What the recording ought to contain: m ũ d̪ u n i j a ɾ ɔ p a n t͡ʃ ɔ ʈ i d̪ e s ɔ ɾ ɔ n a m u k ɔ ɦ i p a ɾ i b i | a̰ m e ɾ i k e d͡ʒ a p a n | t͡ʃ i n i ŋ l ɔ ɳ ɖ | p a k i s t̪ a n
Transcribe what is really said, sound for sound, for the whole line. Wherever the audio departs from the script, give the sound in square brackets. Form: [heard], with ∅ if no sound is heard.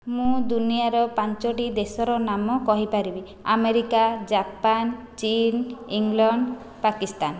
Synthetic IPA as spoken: m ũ d̪ u n i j a ɾ ɔ p a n t͡ʃ ɔ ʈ i d̪ e s ɔ ɾ ɔ n a m [ɔ] k ɔ ɦ i p a ɾ i b i | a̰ m e ɾ i k [a] d͡ʒ a p a n | t͡ʃ i n i ŋ l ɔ ɳ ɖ | p a k i s t̪ a n